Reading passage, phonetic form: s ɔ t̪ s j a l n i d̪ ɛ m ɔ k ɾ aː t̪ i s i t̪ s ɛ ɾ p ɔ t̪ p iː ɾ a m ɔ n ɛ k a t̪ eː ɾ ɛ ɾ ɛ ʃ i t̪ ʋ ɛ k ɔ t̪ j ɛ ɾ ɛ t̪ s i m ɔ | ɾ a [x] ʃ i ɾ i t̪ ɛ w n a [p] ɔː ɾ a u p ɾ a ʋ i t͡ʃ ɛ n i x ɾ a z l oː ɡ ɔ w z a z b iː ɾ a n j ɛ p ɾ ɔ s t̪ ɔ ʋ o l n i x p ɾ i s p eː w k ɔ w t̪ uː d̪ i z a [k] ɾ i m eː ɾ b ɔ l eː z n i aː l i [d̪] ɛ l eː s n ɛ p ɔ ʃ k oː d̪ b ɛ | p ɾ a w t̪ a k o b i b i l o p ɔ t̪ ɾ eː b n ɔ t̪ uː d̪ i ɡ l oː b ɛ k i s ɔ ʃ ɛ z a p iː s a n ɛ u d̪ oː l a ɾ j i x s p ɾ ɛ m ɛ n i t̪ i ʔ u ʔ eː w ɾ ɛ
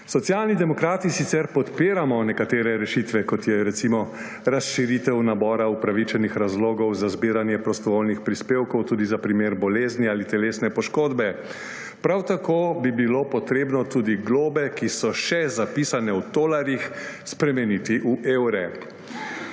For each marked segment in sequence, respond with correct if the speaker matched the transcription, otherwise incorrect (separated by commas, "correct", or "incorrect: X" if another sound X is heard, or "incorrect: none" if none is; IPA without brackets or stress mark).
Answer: incorrect: s, incorrect: b, incorrect: p, incorrect: t̪